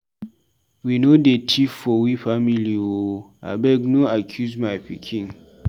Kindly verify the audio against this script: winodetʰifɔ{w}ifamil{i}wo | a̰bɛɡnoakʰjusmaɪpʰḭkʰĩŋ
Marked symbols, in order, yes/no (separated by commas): yes, yes